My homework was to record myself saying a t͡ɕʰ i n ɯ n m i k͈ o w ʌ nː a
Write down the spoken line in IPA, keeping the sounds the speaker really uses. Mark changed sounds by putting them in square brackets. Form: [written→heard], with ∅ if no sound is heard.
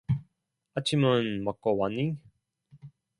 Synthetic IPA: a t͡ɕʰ i [n→m] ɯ n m [i→a] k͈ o w [ʌ→a] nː [a→i]